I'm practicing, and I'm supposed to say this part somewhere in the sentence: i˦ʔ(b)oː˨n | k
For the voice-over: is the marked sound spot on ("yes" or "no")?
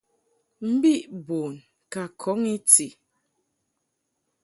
yes